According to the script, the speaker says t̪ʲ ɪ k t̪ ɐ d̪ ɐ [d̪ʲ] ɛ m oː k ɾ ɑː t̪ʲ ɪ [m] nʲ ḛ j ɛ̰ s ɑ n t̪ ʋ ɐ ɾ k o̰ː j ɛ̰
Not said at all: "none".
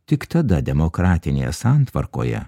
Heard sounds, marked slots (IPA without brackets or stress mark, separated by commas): d̪ʲ, none